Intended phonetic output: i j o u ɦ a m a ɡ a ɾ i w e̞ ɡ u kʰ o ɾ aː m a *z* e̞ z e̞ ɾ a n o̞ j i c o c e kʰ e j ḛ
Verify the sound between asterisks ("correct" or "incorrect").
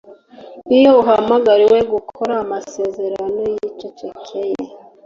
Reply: incorrect